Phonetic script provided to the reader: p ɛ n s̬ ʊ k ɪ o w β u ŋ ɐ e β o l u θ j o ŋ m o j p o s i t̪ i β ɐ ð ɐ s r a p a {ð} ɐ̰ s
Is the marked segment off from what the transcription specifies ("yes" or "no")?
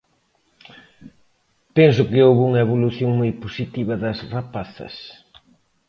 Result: yes